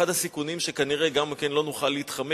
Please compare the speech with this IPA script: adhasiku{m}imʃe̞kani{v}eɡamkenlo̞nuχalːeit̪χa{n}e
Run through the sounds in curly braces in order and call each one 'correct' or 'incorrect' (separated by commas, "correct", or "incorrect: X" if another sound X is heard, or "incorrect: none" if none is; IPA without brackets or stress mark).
incorrect: n, incorrect: ʁ, incorrect: m